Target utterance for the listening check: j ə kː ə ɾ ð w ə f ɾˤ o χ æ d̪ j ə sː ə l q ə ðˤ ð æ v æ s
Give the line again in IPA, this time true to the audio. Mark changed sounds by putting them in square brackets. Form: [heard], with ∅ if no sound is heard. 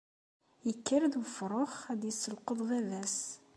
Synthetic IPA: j ə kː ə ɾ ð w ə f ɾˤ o χ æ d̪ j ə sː ə l q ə ðˤ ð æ v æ s